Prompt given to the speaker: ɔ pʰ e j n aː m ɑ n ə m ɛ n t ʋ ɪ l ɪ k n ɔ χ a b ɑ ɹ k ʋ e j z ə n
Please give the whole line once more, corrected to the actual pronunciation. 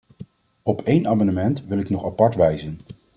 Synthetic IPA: ɔ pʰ e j n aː m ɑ n ə m ɛ n t ʋ ɪ l ɪ k n ɔ χ a p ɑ ɹ t ʋ ɛ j z ə n